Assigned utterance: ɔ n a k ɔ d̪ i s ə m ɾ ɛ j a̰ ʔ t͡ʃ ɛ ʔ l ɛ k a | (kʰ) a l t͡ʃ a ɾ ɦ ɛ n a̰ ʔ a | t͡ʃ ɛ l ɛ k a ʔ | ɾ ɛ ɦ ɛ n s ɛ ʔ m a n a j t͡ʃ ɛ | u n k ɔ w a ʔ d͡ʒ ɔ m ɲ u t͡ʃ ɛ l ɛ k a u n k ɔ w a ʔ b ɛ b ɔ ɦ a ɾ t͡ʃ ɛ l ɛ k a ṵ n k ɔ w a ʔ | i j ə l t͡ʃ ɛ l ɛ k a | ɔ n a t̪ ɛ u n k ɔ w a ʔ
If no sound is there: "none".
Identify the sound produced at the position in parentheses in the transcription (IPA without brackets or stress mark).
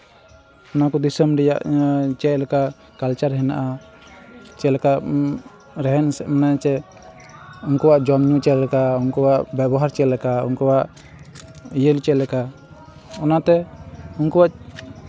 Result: k